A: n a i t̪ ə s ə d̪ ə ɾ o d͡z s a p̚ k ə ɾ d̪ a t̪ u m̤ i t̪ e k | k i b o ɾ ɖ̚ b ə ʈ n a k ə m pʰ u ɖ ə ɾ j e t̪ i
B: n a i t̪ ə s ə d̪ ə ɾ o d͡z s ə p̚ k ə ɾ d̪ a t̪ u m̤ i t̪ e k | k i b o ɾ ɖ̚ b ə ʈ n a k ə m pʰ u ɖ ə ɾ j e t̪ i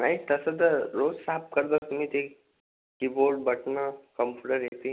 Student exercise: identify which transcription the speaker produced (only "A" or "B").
A